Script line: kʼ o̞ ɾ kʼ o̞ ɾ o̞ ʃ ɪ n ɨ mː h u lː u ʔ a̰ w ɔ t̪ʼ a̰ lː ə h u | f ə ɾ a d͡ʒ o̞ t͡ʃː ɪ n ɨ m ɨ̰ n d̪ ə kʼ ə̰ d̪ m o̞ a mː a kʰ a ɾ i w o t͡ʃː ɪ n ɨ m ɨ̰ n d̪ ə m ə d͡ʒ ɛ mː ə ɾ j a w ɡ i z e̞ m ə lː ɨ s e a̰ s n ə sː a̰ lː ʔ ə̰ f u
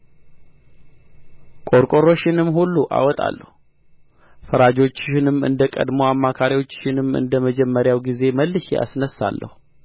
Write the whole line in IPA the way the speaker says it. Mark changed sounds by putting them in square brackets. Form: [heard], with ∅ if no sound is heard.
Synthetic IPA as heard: kʼ o̞ ɾ kʼ o̞ ɾ o̞ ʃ ɪ n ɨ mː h u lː u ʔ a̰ w ɔ t̪ʼ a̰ lː ə h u | f ə ɾ a d͡ʒ o̞ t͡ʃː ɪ n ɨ m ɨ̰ n d̪ ə kʼ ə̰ d̪ m o̞ a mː a kʰ a ɾ i w o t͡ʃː ɪ n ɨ m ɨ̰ n d̪ ə m ə d͡ʒ ɛ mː ə ɾ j a w ɡ i z e̞ m ə lː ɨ [ʃ] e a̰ s n ə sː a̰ lː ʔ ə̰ [h] u